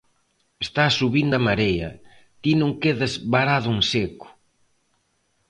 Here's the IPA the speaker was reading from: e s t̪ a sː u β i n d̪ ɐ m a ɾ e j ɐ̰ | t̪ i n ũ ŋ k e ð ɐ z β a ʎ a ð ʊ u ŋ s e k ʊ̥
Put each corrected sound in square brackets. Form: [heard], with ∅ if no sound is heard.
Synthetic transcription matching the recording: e s t̪ a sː u β i n d̪ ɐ m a ɾ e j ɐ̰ | t̪ i n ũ ŋ k e ð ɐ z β a [ɾ] a ð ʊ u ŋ s e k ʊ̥